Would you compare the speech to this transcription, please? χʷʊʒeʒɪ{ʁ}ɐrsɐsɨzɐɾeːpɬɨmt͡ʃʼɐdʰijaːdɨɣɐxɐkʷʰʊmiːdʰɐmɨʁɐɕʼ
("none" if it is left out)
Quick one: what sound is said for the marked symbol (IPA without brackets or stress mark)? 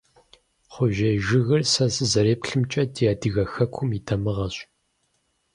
ɣ